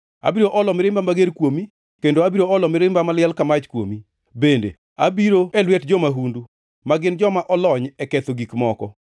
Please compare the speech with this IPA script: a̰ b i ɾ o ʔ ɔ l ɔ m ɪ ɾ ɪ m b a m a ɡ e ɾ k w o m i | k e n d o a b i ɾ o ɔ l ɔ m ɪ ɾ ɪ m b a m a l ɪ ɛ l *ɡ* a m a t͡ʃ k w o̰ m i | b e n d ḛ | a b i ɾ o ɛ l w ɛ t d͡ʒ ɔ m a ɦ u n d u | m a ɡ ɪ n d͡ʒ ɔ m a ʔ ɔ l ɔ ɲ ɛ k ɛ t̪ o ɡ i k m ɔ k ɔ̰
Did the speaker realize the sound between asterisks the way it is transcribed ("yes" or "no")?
no